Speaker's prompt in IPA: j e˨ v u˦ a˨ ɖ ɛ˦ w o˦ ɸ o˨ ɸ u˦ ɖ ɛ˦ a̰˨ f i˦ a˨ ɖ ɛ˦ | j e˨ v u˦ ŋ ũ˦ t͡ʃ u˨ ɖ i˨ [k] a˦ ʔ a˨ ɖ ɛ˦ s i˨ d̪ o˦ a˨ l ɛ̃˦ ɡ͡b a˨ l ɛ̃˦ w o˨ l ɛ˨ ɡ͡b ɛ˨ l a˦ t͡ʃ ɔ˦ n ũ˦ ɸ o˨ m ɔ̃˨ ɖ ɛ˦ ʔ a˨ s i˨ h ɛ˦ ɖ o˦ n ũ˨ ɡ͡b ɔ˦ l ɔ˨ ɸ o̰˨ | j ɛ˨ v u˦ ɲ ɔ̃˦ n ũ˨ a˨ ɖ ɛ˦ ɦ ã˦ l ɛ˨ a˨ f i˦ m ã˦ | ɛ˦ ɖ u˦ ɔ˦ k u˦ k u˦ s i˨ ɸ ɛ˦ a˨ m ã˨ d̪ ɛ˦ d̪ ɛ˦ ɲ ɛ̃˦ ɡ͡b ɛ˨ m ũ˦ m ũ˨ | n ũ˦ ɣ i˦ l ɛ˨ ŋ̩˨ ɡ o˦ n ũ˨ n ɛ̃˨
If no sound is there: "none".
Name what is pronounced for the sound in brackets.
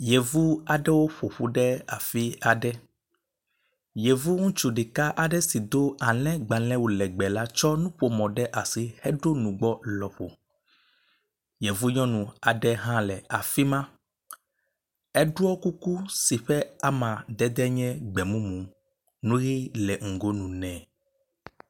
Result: k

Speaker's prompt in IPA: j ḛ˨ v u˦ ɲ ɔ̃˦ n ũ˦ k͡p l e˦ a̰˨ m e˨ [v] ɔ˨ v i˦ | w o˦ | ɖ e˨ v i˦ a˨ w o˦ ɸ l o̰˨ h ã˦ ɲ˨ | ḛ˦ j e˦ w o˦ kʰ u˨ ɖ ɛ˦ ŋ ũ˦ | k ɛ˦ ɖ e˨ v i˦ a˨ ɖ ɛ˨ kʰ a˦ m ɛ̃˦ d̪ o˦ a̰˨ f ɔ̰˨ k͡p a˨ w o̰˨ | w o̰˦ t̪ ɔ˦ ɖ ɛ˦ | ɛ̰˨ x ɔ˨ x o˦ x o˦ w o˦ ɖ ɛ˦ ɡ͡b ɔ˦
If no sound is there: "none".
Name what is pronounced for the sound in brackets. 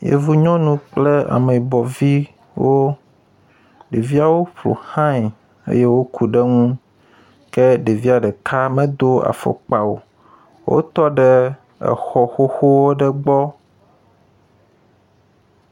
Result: b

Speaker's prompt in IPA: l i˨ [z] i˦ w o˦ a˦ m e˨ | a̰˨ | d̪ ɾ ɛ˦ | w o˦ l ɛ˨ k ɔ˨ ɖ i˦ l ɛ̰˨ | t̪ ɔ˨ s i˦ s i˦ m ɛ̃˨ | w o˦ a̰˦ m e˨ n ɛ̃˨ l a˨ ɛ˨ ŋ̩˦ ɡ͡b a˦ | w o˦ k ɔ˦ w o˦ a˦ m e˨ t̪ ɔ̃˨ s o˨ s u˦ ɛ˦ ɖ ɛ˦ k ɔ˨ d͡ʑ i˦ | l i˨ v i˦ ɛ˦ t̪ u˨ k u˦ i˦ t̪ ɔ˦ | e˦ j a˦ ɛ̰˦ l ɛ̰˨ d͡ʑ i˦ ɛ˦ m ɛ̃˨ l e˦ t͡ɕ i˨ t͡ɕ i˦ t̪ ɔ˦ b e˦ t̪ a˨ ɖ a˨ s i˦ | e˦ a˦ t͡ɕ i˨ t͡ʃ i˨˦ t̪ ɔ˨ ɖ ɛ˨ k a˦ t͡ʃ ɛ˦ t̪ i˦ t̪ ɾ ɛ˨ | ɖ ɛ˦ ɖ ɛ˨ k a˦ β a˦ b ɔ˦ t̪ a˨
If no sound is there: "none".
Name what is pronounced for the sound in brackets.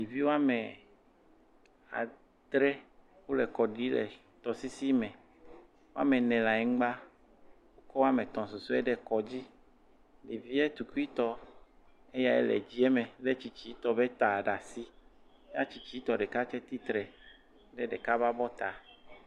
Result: v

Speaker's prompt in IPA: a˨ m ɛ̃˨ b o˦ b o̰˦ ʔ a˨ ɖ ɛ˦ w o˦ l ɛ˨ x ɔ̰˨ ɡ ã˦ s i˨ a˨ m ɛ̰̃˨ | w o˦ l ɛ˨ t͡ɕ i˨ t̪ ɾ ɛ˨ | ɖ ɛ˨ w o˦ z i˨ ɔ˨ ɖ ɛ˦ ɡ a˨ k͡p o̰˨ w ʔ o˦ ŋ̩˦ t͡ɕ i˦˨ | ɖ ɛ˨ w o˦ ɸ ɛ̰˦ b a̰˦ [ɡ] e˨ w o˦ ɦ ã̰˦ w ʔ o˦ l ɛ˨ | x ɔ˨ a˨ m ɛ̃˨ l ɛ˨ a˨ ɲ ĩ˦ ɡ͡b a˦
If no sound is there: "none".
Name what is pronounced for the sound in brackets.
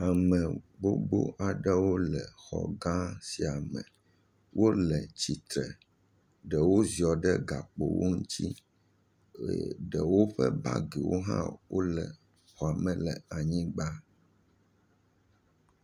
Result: ɡ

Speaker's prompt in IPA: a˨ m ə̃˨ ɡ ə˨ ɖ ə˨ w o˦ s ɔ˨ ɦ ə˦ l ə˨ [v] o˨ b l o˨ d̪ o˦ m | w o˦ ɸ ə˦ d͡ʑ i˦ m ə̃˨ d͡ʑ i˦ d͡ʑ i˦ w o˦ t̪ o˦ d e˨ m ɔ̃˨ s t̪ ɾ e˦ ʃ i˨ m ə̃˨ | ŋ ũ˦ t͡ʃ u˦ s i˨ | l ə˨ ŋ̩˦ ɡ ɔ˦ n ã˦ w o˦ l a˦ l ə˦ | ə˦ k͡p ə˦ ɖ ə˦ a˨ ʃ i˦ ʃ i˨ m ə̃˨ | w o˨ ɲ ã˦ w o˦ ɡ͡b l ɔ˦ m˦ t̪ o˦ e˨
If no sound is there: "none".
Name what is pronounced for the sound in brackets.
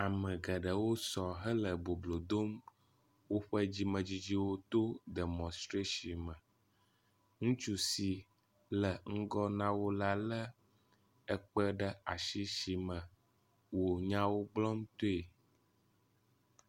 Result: b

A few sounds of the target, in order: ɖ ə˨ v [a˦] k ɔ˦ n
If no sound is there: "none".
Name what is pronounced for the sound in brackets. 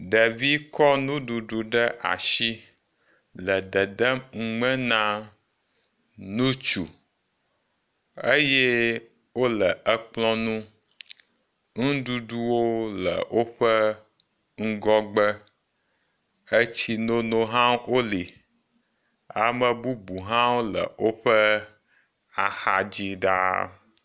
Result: i˦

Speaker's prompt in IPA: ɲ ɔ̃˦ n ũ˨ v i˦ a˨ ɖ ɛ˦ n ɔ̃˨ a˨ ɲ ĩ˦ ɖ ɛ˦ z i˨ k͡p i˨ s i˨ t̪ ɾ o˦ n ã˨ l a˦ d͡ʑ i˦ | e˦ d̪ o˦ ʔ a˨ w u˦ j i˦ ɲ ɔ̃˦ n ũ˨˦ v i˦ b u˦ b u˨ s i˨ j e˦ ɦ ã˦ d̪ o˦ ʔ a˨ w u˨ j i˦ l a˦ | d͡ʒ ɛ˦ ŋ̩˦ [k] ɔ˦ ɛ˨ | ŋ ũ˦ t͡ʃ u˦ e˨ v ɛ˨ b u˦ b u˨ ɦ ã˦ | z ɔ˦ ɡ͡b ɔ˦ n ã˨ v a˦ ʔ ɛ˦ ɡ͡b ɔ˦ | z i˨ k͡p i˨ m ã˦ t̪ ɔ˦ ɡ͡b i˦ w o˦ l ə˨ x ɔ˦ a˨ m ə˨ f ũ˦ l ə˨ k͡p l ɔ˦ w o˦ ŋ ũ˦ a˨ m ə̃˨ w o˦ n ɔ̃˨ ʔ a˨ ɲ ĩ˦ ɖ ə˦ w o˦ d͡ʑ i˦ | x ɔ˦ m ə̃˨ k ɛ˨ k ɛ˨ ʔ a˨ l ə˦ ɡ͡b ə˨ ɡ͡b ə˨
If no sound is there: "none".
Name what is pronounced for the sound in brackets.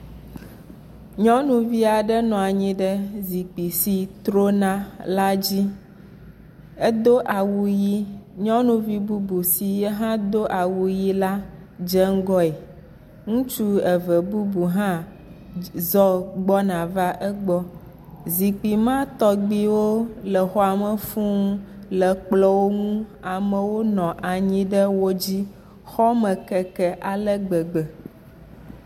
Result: ɡ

